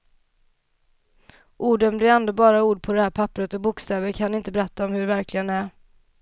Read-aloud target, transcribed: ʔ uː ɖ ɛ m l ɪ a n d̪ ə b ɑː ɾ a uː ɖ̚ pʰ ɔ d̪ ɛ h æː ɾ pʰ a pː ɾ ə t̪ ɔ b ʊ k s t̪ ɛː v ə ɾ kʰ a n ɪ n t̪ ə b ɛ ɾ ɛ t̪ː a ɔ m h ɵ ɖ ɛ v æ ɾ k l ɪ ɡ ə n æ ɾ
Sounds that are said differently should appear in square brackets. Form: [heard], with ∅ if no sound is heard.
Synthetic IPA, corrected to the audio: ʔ uː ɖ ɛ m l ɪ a n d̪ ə b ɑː ɾ a uː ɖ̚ pʰ ɔ d̪ ɛ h æː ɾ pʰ a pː ɾ ə t̪ ɔ b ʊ k s t̪ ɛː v ə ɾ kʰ a n ɪ n t̪ ə b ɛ ɾ ɛ t̪ː a ɔ m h ɵ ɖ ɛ v æ ɾ k l ɪ ɡ ə n æ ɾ